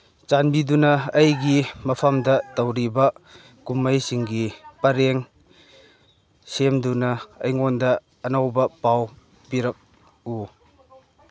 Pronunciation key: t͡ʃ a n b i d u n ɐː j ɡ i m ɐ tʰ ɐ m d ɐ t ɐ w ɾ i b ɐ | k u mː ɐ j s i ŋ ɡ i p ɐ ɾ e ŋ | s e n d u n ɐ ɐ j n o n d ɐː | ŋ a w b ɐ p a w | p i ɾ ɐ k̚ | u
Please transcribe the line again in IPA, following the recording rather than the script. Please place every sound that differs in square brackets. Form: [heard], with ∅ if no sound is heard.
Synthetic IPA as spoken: t͡ʃ a n b i d u n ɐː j ɡ i m ɐ [pʰ] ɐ m d ɐ t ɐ w ɾ i b ɐ | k u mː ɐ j s i ŋ ɡ i p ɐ ɾ e ŋ | s e [m] d u n ɐ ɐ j [ŋ] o n d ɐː | [n] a w b ɐ p a w | p i ɾ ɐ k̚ | u